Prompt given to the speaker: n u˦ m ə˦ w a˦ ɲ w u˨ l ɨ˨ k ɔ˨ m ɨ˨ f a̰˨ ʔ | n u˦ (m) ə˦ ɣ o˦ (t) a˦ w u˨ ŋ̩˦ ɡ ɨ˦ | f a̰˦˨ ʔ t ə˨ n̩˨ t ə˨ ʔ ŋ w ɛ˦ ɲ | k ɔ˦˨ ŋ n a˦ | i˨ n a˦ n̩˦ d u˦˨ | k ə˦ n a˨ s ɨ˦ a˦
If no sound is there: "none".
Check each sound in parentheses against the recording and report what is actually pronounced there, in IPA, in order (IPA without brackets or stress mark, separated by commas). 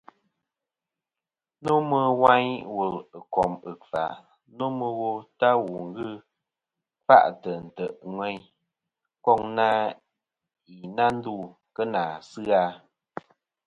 m, t